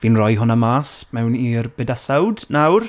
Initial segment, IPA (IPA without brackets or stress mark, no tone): v